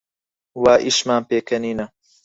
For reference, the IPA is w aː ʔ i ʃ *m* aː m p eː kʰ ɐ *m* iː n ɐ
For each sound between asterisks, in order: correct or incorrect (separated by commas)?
correct, incorrect